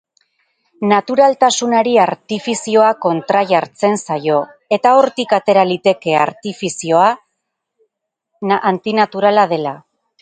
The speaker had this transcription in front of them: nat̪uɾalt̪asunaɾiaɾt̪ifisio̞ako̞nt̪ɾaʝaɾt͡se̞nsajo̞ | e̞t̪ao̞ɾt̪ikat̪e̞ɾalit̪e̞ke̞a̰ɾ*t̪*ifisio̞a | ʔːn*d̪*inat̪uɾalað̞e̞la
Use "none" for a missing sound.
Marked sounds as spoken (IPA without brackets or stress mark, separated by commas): t̪, t̪